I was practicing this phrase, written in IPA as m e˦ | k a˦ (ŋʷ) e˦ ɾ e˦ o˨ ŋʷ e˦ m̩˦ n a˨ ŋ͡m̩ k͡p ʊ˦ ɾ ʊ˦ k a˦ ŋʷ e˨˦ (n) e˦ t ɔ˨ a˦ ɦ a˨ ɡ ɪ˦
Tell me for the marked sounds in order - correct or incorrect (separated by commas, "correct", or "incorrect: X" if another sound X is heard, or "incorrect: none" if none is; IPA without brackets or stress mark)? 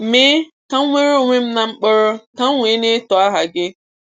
correct, correct